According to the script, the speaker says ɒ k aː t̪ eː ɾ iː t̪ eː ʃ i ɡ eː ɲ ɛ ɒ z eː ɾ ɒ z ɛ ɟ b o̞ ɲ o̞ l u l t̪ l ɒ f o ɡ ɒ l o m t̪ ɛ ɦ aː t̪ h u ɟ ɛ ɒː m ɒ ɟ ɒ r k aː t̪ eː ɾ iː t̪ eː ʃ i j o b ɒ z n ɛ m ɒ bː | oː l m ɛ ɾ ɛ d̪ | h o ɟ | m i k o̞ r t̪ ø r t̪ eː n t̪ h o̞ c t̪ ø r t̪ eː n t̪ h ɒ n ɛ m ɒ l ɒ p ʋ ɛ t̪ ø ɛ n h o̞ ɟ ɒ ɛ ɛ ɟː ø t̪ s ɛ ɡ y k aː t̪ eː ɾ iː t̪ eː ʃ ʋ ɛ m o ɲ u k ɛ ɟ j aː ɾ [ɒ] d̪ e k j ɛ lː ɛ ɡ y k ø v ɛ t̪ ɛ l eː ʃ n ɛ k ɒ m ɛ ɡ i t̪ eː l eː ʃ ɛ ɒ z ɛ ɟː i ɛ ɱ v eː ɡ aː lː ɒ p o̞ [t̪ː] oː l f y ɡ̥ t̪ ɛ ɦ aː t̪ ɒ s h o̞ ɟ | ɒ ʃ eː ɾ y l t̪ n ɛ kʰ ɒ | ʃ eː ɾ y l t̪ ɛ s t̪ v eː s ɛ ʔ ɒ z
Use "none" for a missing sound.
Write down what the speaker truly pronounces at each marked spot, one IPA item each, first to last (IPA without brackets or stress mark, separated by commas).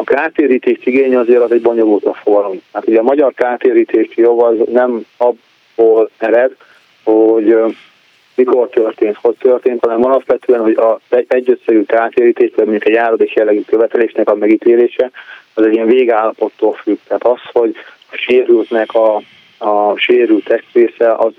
o, t̪ː